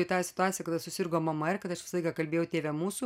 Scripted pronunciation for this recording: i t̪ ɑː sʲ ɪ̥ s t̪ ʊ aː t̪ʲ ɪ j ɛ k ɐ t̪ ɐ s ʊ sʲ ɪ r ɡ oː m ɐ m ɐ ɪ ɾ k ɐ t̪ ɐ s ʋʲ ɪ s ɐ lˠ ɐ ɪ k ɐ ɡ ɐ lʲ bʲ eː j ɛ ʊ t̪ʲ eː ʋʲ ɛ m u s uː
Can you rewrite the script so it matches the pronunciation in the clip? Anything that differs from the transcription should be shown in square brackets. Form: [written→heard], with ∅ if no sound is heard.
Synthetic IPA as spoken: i t̪ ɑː sʲ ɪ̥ [s→∅] t̪ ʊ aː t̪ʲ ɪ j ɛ k ɐ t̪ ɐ s ʊ sʲ ɪ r ɡ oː m ɐ m ɐ ɪ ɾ k ɐ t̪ ɐ [s→ʃ] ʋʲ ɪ s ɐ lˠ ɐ ɪ k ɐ [ɡ→k] ɐ lʲ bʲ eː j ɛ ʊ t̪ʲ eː ʋʲ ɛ m [u→uː] s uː